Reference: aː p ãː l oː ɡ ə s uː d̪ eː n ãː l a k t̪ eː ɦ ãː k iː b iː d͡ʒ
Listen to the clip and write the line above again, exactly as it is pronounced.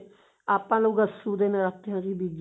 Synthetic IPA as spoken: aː p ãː l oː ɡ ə s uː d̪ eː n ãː ɾ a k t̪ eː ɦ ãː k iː b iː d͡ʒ